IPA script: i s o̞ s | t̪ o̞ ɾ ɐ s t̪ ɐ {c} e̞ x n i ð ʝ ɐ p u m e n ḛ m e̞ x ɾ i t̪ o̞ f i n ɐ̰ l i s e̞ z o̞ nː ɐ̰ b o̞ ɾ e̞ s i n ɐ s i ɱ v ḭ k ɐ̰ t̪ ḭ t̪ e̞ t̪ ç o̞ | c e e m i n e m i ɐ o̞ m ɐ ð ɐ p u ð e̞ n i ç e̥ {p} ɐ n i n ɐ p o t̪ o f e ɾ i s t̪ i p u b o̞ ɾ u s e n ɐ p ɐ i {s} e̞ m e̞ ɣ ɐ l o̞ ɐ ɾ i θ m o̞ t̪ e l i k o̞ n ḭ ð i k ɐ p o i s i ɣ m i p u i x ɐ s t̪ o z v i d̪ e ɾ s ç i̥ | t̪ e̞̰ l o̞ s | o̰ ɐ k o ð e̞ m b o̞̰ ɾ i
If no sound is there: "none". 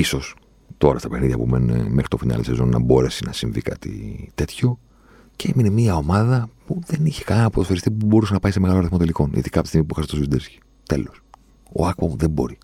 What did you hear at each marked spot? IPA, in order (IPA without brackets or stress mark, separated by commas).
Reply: p, k, s